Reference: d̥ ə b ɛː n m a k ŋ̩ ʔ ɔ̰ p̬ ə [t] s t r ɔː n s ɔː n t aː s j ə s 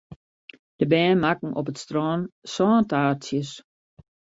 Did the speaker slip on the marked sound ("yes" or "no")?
no